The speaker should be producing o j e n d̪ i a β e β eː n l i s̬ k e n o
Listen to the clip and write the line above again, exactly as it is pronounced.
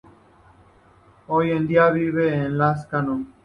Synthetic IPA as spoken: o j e n d̪ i a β i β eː n l a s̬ k a n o